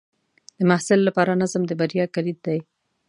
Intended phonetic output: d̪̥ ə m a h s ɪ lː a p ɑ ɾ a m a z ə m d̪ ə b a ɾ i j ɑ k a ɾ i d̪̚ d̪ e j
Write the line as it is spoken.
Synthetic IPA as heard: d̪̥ ə m a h s ɪ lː a p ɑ ɾ a n a z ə m d̪ ə b a ɾ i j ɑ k a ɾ i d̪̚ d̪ a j